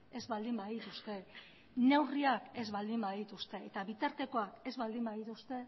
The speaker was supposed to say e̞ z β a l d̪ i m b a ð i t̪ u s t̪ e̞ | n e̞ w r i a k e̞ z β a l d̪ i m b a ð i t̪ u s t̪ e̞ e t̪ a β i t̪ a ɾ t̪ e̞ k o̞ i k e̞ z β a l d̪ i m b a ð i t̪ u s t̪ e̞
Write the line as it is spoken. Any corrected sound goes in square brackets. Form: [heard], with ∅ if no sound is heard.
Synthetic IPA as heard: e̞ z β a l d̪ i m b a ð i t̪ u s t̪ e̞ | n e̞ w r i a k e̞ z β a l d̪ i m b a ð i t̪ u s t̪ e̞ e t̪ a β i t̪ a ɾ t̪ e̞ k o̞ [a] k e̞ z β a l d̪ i m b a ð i t̪ u s t̪ e̞